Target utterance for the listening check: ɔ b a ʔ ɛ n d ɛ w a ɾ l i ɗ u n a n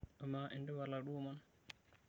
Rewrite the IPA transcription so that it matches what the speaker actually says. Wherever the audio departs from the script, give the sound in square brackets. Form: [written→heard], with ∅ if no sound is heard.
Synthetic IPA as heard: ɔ [b→m] a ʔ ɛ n d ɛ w a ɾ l [i→a] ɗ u [n→m] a n